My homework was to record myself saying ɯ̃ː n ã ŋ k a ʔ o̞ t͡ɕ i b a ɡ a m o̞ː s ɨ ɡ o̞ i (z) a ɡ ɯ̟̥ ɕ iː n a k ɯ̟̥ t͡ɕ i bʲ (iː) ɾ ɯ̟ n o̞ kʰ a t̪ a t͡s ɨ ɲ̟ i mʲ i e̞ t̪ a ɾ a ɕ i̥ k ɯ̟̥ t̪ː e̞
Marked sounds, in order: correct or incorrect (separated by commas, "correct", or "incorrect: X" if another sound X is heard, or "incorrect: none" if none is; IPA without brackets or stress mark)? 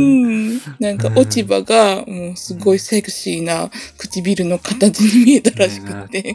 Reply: incorrect: s, incorrect: i